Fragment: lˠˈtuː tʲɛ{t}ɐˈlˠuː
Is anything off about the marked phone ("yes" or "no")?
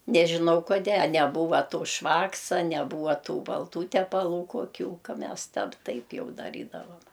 yes